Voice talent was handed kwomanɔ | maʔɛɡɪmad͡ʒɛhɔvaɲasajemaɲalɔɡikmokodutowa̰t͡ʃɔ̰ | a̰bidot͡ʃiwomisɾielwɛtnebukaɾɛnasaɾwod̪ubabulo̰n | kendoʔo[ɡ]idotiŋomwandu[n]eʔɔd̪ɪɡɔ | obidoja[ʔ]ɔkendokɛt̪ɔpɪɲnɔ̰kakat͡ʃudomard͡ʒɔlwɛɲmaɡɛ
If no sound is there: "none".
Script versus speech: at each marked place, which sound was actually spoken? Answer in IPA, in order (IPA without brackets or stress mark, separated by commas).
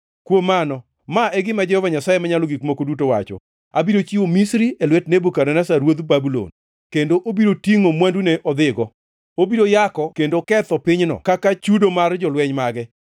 b, n, k